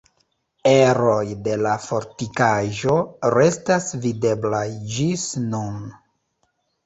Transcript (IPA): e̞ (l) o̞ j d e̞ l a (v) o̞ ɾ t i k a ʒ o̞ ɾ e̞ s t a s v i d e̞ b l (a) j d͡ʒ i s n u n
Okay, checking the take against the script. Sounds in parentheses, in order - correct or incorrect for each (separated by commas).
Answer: incorrect, incorrect, correct